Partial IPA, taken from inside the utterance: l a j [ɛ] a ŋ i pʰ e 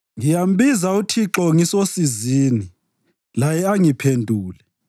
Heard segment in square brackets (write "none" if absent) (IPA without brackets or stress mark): ɛ